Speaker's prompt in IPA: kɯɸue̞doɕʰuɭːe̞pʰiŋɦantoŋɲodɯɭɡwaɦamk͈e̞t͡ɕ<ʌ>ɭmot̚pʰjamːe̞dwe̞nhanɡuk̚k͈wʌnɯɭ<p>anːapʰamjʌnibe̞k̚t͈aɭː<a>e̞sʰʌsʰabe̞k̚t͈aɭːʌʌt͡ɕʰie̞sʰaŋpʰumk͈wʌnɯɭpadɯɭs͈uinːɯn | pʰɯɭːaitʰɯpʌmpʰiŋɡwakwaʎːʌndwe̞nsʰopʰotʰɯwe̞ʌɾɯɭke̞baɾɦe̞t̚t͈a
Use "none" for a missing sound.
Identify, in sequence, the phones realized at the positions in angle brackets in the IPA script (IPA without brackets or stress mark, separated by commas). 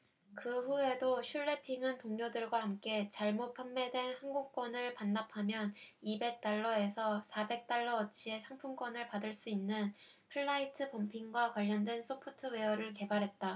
a, p, ʌ